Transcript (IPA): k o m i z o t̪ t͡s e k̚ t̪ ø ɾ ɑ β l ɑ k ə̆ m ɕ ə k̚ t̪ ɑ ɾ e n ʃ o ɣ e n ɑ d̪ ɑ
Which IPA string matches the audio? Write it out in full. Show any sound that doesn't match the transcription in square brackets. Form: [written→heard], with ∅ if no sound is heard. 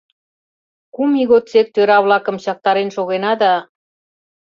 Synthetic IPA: k [o→u] m i [z→ɣ] o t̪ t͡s e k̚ t̪ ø ɾ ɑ β l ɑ k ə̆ m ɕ [ə→ɑ] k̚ t̪ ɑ ɾ e n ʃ o ɣ e n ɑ d̪ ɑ